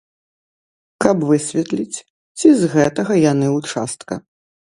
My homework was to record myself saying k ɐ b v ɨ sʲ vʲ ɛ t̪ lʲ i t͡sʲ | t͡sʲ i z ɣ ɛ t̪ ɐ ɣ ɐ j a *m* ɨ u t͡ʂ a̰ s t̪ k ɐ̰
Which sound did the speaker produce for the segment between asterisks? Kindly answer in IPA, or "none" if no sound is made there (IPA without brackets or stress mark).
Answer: n